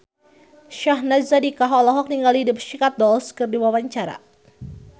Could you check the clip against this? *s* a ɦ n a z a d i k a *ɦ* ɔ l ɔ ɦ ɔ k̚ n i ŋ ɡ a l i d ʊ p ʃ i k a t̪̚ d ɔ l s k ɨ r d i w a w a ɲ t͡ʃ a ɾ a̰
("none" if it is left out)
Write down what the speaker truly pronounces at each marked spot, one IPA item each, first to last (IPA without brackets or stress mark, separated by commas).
ʃ, ɦ